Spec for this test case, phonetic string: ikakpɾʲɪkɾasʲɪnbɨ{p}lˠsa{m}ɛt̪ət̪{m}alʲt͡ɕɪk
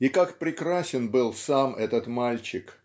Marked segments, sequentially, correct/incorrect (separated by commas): incorrect, correct, correct